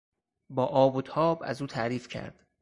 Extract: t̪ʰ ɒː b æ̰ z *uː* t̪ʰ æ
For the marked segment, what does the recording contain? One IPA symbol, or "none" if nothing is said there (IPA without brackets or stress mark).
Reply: uː